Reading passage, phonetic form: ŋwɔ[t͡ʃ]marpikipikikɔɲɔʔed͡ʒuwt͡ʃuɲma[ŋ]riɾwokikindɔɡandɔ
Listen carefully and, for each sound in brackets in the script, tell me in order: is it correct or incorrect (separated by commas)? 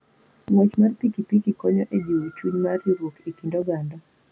correct, incorrect